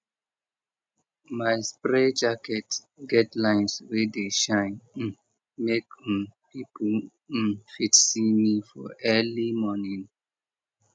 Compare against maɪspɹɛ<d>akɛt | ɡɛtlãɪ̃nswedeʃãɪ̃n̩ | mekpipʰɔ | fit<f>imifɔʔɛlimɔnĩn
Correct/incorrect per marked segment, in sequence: incorrect, incorrect

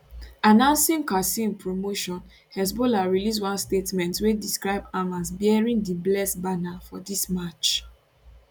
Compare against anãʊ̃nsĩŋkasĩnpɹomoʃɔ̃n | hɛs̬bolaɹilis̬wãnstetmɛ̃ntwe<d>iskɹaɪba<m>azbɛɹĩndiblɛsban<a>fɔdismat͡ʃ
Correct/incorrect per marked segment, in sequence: correct, correct, correct

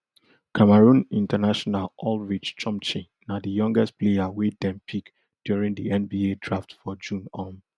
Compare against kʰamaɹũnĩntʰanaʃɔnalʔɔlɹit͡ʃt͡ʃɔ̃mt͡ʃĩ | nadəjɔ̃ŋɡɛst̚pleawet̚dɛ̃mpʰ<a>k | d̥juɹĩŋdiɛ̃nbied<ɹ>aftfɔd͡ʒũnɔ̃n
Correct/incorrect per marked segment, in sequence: incorrect, correct

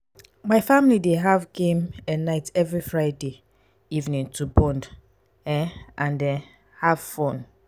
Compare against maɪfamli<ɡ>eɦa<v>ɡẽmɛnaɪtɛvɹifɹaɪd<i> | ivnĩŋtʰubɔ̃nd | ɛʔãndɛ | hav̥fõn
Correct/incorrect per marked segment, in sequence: incorrect, correct, incorrect

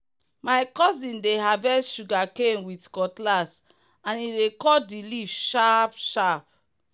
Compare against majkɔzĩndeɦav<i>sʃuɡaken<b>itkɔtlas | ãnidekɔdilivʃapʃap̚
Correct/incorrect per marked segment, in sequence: incorrect, incorrect

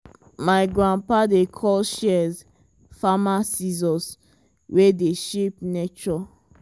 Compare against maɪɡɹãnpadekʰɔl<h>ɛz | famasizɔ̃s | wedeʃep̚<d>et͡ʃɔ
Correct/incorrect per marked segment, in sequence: incorrect, incorrect

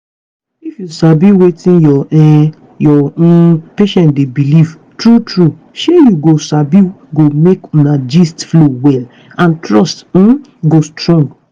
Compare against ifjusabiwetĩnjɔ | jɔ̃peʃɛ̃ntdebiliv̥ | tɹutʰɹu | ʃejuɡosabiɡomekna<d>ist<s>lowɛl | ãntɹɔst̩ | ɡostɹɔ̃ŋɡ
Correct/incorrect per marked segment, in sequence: incorrect, incorrect

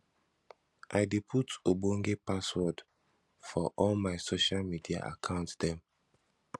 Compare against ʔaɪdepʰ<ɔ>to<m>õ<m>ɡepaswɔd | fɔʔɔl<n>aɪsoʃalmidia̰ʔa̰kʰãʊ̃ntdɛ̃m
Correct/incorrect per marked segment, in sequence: incorrect, incorrect, incorrect, incorrect

